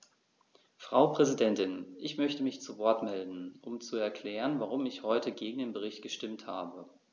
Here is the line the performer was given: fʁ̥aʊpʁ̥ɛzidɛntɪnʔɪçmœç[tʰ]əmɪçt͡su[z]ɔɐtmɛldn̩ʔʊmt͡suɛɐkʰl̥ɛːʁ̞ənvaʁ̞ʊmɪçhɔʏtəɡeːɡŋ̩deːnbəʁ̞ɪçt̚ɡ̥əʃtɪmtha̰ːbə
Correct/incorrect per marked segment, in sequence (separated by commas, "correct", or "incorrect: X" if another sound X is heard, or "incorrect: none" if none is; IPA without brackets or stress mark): incorrect: t, incorrect: v